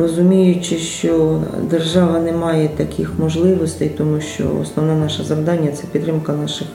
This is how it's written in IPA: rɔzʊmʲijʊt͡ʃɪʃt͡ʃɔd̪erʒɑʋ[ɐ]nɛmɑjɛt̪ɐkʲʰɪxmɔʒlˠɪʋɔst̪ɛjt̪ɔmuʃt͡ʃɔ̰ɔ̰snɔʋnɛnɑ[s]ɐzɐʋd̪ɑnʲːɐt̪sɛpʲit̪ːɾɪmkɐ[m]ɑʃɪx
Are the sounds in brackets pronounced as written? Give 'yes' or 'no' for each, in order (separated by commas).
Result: yes, no, no